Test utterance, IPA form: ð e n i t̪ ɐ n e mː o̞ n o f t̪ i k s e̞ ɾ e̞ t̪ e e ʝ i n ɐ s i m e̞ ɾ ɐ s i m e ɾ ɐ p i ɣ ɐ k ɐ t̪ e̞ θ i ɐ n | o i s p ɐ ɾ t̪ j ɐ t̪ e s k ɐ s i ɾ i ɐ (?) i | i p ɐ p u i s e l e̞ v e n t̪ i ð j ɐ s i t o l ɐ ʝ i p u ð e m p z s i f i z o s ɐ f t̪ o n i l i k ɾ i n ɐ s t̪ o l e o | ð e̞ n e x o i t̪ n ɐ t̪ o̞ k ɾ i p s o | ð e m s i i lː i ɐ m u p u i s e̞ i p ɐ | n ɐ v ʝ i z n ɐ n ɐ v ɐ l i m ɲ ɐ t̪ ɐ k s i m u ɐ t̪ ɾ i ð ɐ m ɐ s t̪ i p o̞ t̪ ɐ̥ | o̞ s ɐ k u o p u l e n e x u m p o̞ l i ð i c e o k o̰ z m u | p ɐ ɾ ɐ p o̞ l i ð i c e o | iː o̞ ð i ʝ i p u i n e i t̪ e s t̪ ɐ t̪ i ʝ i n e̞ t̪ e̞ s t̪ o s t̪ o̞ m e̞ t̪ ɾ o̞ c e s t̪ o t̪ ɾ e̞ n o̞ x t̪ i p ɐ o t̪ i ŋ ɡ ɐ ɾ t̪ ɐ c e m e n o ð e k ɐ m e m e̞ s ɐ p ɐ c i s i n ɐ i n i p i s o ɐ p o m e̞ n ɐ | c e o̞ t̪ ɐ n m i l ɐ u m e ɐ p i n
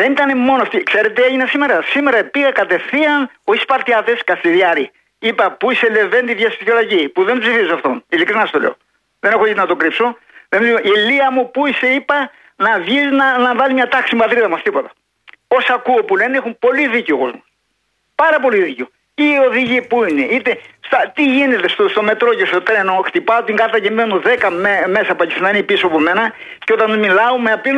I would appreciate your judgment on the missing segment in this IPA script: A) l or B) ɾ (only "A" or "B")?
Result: B